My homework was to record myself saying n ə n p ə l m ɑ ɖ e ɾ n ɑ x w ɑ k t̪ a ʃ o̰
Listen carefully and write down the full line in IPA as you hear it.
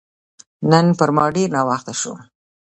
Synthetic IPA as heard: n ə n p ə ɾ m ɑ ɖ e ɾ n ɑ w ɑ x t̪ a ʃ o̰